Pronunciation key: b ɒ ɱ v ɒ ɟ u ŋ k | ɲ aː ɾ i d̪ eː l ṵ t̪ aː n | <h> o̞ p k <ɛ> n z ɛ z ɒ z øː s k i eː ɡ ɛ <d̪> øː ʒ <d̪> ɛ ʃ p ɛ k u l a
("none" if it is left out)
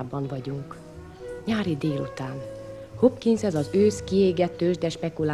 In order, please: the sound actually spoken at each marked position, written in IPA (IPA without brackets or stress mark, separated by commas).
h, i, t̪, d̪